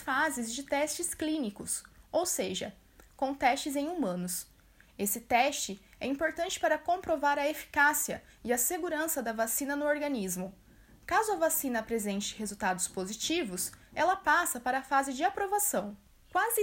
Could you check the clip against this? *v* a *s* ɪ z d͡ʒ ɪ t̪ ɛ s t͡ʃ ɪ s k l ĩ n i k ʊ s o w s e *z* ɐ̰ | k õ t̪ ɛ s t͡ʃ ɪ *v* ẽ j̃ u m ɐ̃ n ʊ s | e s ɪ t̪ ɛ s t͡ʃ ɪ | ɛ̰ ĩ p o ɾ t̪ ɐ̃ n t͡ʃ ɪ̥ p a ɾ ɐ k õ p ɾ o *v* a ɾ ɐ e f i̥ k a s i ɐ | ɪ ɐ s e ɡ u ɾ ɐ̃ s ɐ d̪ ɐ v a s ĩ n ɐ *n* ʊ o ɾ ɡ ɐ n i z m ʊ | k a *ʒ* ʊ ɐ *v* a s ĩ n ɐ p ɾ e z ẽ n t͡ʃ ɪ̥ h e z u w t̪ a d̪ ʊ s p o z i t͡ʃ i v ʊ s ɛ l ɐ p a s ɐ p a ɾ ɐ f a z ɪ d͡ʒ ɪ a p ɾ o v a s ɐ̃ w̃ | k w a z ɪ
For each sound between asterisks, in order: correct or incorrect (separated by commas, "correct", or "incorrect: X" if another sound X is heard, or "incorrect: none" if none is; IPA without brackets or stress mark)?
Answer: incorrect: f, incorrect: z, incorrect: ʒ, incorrect: z, correct, correct, incorrect: z, correct